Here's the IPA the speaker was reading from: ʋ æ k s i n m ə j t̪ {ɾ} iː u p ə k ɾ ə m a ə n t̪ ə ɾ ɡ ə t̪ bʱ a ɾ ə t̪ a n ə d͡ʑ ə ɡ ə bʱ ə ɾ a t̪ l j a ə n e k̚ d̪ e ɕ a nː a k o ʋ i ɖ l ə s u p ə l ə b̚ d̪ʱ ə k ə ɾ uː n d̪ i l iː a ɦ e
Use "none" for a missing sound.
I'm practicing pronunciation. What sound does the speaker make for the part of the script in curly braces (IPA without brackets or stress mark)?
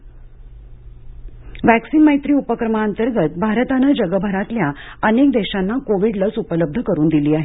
ɾ